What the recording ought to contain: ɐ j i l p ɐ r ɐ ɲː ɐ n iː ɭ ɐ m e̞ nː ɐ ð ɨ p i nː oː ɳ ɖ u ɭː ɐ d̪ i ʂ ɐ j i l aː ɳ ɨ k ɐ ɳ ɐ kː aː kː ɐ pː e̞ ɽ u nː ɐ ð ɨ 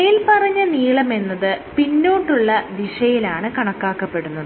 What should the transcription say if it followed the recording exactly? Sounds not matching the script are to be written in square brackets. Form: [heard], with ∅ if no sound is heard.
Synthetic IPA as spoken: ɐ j i l p ɐ r ɐ ɲː ɐ n iː ɭ ɐ m e̞ nː ɐ ð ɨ p i nː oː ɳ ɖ u ɭː ɐ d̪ i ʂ ɐ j i l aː ɳ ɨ k ɐ ɳ ɐ kː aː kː ɐ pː e̞ ɽ u nː ɐ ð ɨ